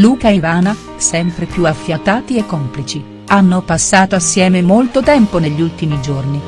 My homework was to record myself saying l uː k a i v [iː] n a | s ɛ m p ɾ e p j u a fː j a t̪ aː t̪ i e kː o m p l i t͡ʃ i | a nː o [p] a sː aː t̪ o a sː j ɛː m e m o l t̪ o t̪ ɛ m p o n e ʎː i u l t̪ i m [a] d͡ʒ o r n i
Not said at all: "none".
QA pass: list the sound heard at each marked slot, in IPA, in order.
aː, p, i

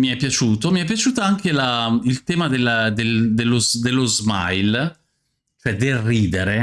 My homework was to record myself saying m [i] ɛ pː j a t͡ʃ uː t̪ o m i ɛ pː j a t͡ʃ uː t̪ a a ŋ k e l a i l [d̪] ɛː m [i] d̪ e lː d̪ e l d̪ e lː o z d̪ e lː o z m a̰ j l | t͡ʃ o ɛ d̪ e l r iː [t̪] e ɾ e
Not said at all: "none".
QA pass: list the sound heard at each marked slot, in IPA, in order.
i, t̪, a, d̪

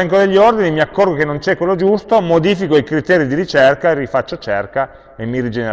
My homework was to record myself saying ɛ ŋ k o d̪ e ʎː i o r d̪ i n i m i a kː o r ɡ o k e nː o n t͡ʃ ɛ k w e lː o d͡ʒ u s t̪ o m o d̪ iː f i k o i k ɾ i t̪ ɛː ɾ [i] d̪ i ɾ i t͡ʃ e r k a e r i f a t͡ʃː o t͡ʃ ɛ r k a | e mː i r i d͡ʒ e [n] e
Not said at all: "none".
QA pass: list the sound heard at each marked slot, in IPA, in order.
i, n

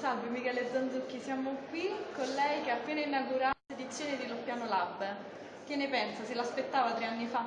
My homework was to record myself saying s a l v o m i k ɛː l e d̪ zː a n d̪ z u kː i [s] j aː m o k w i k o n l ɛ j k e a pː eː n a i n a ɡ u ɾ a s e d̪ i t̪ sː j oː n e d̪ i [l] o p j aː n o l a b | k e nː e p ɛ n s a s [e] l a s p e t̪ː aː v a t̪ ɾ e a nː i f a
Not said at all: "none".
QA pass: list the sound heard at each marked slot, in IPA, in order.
s, l, e

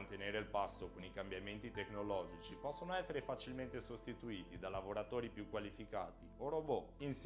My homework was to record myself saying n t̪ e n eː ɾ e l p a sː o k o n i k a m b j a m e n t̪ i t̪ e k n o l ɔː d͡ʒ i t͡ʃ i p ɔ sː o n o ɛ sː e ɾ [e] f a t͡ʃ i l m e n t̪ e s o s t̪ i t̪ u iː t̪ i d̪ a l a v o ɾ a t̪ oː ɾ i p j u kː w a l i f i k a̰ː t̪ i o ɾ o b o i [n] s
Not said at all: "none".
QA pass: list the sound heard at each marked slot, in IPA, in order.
e, n

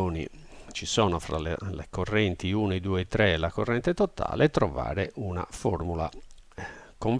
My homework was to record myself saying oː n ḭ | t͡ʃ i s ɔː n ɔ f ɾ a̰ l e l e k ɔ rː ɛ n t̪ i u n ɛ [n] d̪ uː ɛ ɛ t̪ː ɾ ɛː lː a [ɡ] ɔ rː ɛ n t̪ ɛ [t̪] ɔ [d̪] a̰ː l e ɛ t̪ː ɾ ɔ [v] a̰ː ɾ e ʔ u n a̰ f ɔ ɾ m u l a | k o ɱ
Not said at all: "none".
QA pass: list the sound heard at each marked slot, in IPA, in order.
none, k, t̪, t̪, v

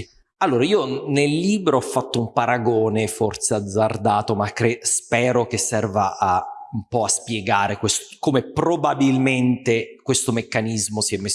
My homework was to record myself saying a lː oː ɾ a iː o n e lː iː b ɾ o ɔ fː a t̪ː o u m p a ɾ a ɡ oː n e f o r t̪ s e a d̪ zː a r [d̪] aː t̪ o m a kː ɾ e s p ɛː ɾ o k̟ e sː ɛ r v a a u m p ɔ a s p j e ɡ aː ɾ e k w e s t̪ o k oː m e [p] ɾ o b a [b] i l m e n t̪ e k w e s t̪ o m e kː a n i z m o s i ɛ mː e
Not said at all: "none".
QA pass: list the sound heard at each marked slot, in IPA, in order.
d̪, p, b

